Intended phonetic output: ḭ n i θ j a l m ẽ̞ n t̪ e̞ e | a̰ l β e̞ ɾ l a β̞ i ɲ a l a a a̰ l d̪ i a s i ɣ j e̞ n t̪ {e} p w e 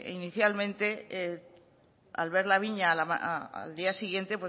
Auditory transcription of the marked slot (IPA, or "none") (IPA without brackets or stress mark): e